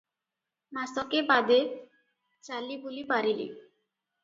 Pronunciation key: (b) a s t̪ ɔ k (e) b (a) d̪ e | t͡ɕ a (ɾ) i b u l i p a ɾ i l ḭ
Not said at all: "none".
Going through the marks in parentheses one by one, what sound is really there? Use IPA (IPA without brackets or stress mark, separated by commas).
m, e, a, l